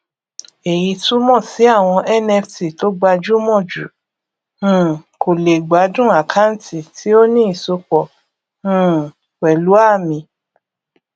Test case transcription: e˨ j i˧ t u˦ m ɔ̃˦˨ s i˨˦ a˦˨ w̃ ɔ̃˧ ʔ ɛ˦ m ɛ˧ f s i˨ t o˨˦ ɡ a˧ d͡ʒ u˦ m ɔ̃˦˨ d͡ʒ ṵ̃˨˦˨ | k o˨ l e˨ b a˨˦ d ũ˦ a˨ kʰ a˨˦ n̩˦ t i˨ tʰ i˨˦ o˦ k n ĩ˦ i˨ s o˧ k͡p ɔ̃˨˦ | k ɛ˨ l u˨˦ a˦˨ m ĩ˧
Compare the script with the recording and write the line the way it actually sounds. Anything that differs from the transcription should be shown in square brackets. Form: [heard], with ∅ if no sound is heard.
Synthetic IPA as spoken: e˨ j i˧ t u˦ m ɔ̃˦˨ s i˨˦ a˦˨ w̃ ɔ̃˧ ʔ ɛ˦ [n] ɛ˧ f [t] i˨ t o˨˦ [ɡ͡b] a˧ d͡ʒ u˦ m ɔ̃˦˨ d͡ʒ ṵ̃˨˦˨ | k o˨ l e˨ [ɡ͡b] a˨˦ d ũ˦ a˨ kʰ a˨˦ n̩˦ t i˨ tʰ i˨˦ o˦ [∅] n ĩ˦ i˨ s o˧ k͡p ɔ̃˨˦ | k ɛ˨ l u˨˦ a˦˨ m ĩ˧